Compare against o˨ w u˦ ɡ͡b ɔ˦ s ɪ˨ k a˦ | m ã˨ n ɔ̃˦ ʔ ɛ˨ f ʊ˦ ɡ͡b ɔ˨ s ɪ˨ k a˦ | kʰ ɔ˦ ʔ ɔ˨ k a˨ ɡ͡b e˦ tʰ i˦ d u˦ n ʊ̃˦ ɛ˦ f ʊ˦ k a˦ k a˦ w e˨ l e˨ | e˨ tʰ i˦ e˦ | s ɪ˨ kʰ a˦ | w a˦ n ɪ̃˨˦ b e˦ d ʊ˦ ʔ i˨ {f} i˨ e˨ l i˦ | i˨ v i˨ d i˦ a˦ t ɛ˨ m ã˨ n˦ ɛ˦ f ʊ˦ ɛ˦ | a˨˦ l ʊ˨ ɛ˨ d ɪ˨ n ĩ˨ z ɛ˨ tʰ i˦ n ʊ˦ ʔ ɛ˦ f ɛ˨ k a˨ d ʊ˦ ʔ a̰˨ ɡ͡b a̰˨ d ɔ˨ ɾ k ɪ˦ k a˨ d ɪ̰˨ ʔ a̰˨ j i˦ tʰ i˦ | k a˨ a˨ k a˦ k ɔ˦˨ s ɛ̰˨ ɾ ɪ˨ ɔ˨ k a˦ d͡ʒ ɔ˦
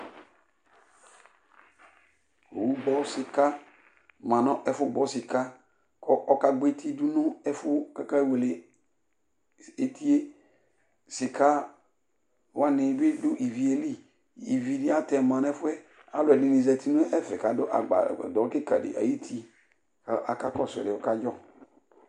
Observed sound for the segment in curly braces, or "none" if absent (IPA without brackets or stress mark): v